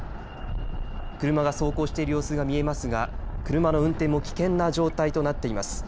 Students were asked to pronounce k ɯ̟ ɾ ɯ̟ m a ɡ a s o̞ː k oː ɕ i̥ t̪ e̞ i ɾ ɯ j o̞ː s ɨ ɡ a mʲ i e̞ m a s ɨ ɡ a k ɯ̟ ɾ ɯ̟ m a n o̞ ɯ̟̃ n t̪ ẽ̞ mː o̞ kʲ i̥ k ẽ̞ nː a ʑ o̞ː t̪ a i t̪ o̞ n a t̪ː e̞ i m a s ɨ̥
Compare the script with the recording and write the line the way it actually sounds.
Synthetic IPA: k ɯ̟ ɾ ɯ̟ m a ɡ a s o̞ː k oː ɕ i̥ t̪ e̞ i ɾ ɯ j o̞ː s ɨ ɡ a mʲ i e̞ m a s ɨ ɡ a k ɯ̟ ɾ ɯ̟ m a n o̞ ɯ̟̃ n t̪ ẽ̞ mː o̞ kʲ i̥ k ẽ̞ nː a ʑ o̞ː t̪ a i t̪ o̞ n a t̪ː e̞ i m a s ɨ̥